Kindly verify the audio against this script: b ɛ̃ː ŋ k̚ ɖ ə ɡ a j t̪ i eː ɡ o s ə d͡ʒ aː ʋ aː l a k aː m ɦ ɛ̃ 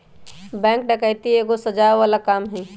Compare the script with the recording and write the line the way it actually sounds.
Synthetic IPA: b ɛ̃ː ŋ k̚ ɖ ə k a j t̪ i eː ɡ o s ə d͡ʒ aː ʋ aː l a k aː m ɦ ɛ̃